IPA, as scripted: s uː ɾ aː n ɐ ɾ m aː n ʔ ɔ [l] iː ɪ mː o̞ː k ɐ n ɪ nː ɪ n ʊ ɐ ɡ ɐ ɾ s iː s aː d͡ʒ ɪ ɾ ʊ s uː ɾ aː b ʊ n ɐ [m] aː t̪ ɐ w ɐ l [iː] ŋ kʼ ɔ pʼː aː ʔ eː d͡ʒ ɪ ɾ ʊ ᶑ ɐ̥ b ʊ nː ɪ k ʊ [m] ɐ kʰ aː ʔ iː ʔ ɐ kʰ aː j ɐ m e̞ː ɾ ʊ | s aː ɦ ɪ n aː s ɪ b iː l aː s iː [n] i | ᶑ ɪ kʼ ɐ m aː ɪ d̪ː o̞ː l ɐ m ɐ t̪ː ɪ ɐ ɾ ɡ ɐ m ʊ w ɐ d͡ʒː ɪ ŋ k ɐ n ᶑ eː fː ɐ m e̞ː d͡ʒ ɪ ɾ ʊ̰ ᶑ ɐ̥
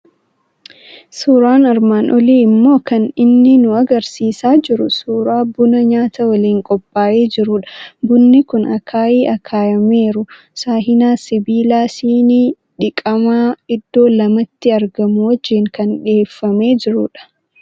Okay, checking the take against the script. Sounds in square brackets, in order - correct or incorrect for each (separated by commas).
correct, incorrect, correct, incorrect, correct